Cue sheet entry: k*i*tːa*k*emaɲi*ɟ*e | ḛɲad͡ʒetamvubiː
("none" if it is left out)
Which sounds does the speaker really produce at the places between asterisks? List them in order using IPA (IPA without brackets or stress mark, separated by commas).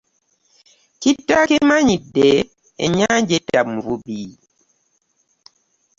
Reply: i, k, d